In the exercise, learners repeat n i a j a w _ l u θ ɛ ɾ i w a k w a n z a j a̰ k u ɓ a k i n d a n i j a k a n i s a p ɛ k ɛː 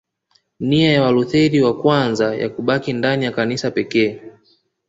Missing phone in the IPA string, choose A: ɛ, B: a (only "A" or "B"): B